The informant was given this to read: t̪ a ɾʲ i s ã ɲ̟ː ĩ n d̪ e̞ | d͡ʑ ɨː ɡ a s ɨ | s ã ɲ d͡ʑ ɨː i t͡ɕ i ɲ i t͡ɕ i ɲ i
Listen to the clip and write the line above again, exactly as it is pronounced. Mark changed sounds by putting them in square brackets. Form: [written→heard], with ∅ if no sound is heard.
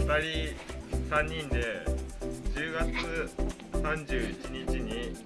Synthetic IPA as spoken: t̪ a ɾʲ i s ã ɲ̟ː ĩ n d̪ e̞ | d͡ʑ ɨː ɡ a [s→t͡s] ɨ | s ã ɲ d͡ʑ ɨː i t͡ɕ i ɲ i t͡ɕ i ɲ i